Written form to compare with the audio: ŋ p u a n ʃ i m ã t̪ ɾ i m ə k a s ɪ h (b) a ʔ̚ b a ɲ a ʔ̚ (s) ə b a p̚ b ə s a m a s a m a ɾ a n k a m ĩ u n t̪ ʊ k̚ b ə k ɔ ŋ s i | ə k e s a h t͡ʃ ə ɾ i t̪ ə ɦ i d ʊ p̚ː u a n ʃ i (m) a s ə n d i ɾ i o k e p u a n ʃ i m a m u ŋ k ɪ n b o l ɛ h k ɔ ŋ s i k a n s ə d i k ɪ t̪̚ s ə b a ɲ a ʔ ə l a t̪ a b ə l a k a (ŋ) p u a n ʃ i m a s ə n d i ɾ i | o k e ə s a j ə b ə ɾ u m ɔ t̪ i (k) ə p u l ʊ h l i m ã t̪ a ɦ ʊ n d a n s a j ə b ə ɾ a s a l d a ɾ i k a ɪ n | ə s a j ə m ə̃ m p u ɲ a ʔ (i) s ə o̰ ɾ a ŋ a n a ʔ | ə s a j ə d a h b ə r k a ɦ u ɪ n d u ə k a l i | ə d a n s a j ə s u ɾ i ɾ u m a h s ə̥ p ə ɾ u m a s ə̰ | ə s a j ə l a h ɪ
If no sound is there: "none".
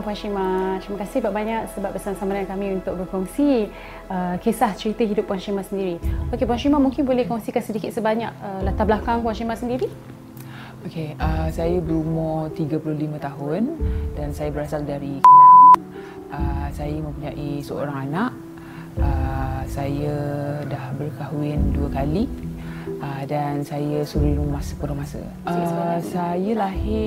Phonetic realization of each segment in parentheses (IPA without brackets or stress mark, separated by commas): b, s, m, ŋ, ɡ, i